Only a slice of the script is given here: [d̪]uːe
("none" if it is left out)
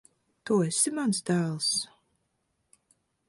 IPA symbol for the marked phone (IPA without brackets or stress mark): t̪